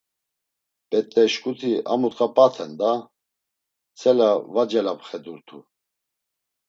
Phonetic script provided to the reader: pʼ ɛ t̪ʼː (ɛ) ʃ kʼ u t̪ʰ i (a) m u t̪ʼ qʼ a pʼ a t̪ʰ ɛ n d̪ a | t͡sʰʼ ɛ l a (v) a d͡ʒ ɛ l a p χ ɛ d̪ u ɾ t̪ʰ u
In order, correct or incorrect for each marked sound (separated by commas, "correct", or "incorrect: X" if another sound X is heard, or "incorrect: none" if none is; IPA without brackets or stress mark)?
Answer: correct, correct, correct